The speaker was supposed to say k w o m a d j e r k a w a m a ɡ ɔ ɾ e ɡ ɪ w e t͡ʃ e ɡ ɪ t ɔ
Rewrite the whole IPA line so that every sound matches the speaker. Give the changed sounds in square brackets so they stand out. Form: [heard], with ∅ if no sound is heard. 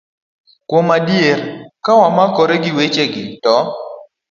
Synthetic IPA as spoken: k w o m a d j e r k a w a m a [k] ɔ ɾ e ɡ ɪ w e t͡ʃ e ɡ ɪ t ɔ